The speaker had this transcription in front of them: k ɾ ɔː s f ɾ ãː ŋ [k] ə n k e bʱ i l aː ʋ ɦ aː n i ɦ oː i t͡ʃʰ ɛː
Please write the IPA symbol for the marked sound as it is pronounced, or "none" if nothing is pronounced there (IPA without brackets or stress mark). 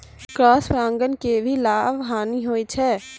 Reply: ɡ